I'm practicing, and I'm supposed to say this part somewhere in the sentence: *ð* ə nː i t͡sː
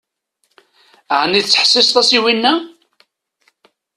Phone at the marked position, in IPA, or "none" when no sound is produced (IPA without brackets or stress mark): ʕ